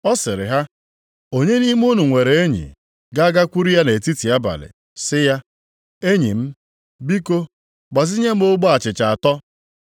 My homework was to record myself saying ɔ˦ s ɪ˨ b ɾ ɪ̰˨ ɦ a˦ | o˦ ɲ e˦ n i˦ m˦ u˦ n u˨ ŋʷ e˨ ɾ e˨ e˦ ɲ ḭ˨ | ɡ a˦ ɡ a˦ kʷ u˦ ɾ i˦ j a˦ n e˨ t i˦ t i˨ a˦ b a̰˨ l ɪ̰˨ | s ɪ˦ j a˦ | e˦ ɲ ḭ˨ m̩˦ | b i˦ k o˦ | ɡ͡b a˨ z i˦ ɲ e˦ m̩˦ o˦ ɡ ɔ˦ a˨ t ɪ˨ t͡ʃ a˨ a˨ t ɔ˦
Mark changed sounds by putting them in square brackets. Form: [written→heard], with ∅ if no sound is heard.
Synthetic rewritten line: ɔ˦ s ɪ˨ [b→∅] ɾ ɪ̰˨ ɦ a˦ | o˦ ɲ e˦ n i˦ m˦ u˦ n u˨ ŋʷ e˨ ɾ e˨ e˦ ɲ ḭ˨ | ɡ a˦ ɡ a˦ kʷ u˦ ɾ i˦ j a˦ n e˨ t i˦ t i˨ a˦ b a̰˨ l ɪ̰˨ | s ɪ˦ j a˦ | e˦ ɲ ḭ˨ m̩˦ | b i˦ k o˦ | ɡ͡b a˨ z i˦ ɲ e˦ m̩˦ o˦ [ɡ→ɡ͡b] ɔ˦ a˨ [t→t͡ʃ] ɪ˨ t͡ʃ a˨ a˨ t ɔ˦